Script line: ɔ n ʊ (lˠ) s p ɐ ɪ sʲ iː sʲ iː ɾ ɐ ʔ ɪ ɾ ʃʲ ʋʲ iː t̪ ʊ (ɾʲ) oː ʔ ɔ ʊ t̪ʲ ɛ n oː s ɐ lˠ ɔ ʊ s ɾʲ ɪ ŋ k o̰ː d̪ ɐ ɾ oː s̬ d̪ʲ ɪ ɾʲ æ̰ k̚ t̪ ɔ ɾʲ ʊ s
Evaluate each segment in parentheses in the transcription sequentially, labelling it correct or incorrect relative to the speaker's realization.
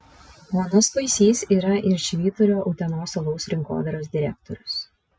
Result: incorrect, correct

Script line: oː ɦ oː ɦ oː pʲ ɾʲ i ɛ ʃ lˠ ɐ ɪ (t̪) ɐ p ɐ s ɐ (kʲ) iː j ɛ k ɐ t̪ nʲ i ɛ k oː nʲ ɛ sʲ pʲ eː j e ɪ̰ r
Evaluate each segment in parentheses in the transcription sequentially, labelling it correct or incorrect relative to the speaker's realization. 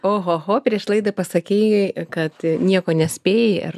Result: incorrect, correct

